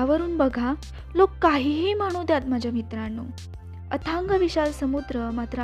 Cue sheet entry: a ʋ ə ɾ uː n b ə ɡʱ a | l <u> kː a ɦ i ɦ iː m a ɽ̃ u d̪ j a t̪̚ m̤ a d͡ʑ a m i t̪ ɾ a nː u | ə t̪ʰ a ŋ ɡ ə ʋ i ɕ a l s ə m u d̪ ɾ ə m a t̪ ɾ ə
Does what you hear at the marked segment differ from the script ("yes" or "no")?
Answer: yes